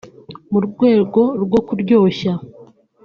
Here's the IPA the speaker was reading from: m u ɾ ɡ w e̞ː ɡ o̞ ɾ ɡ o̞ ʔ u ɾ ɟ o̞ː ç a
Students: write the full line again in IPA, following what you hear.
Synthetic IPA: m u ɾ ɡ w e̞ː ɡ o̞ ɾ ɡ o̞ k u ɾ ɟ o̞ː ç a